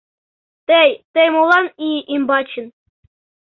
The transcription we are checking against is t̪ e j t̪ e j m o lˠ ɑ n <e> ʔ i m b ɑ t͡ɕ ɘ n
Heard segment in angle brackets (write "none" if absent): i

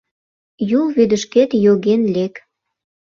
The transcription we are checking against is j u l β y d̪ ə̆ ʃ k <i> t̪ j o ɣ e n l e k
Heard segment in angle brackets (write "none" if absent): e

